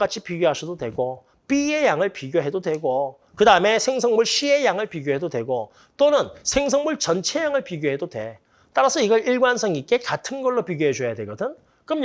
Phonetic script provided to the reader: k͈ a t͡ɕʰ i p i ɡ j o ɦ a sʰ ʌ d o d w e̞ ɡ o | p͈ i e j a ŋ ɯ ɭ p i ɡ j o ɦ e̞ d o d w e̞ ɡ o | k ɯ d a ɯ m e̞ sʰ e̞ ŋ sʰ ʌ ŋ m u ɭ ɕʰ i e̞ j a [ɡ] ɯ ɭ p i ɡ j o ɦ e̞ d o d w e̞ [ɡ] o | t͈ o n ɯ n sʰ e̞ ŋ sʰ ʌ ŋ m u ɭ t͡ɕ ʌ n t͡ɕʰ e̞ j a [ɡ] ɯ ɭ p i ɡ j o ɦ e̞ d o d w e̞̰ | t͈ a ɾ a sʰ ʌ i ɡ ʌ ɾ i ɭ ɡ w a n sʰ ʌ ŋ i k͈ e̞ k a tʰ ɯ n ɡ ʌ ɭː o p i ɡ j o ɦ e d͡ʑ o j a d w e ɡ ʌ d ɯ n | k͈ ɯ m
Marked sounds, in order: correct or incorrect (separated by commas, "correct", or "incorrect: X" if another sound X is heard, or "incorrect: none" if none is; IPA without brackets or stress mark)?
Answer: incorrect: ŋ, correct, incorrect: ŋ